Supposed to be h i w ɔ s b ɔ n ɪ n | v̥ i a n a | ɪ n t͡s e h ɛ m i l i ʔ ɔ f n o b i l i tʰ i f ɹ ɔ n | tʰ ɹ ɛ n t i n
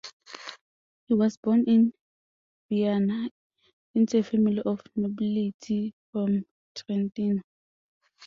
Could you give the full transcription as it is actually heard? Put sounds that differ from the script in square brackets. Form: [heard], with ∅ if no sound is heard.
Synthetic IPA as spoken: h i w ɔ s b ɔ n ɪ n | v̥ i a n a | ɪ n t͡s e [f] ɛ m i l i ʔ ɔ f n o b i l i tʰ i f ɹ ɔ [m] | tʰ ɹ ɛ n t i n